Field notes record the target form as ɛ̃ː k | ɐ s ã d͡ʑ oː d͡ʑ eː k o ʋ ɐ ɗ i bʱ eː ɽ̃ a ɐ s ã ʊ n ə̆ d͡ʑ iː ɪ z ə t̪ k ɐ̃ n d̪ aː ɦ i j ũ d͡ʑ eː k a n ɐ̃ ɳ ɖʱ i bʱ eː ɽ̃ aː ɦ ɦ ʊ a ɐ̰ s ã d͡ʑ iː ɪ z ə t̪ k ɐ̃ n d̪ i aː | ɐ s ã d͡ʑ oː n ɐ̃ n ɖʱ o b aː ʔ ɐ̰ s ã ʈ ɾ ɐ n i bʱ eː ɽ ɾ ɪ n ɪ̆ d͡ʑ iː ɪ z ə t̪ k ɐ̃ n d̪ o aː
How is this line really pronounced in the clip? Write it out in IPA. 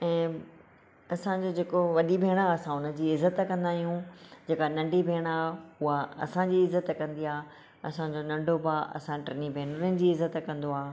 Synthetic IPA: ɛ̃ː | ɐ s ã d͡ʑ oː d͡ʑ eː k o ʋ ɐ ɗ i bʱ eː ɽ̃ a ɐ s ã ʊ n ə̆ d͡ʑ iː ɪ z ə t̪ k ɐ̃ n d̪ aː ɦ i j ũ d͡ʑ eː k a n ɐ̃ ɳ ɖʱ i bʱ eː ɽ̃ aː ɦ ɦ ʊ a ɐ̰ s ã d͡ʑ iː ɪ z ə t̪ k ɐ̃ n d̪ i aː | ɐ s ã d͡ʑ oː n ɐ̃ ɳ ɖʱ o b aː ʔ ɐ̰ s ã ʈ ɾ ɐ n i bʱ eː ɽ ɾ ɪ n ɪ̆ d͡ʑ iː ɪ z ə t̪ k ɐ̃ n d̪ o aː